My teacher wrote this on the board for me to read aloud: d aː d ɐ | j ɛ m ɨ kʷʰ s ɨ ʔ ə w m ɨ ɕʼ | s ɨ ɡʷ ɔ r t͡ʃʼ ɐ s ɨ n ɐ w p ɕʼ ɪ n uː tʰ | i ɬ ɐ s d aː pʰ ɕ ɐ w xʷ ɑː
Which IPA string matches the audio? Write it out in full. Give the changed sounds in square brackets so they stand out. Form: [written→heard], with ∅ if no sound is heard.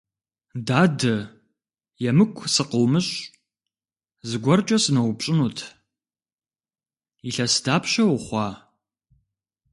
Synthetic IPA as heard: d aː d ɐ | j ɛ m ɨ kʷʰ s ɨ [ʔ→q] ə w m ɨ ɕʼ | [s→z] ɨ ɡʷ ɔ r t͡ʃʼ ɐ s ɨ n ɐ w p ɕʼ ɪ n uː tʰ | i ɬ ɐ s d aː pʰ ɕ ɐ w [xʷ→χʷ] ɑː